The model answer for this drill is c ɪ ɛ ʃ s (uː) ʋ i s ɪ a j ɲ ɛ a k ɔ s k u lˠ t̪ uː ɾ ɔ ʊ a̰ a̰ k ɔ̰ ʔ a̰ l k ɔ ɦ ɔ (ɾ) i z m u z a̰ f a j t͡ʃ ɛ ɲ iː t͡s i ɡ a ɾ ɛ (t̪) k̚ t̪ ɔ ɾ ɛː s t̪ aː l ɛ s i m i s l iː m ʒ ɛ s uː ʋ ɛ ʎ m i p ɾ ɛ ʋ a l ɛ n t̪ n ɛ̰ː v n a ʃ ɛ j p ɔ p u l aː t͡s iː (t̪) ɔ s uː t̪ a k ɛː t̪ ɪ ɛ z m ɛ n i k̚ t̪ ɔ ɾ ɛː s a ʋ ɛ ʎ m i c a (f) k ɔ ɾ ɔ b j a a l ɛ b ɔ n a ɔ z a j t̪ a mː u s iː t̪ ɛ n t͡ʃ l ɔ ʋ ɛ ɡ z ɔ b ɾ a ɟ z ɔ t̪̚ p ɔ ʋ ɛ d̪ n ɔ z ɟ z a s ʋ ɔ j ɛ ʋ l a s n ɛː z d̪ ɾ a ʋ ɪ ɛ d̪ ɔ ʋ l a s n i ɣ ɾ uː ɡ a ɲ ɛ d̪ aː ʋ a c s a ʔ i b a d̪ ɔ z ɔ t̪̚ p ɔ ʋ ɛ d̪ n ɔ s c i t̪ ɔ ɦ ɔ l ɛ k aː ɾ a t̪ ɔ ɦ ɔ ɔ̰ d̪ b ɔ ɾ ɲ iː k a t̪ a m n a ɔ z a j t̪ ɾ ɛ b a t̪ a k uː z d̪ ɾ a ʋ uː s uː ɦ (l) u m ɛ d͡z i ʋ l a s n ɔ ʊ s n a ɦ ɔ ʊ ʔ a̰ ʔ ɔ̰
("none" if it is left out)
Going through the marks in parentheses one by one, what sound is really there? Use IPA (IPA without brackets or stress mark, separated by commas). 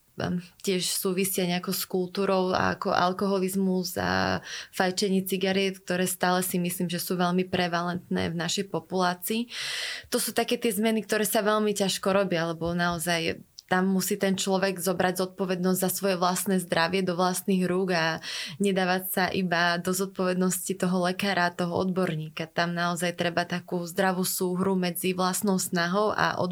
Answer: uː, l, t̪, t̪, ʃ, ɾ